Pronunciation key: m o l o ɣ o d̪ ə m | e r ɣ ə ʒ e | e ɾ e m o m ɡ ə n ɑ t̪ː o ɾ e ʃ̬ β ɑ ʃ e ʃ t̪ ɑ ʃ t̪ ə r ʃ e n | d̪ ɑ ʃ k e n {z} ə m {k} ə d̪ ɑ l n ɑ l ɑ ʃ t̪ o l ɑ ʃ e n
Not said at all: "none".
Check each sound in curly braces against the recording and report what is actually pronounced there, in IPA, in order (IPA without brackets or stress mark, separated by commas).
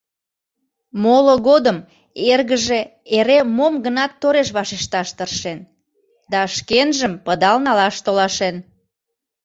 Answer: ʒ, p